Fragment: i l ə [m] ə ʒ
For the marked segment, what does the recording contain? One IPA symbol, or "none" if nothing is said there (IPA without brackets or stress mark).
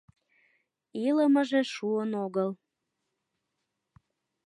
m